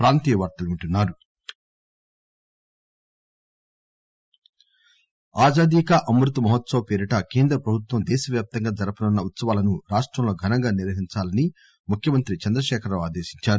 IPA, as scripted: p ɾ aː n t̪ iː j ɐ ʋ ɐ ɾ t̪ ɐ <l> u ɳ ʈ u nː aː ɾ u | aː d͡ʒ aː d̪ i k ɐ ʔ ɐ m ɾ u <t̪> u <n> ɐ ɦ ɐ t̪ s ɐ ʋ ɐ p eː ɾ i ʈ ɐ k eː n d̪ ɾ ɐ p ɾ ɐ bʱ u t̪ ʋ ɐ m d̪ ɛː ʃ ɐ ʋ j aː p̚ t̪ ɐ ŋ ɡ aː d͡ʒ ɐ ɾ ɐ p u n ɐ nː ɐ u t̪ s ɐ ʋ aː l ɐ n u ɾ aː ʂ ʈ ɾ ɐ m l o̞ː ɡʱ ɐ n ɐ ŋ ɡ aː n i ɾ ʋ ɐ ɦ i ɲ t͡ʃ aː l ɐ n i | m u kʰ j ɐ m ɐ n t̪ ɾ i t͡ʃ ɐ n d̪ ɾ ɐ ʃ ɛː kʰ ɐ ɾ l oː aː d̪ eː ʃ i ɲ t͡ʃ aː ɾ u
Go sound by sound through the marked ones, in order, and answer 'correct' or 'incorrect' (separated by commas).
correct, correct, incorrect